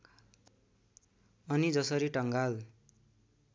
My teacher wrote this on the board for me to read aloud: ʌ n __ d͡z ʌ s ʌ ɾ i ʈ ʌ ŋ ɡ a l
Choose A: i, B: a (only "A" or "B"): A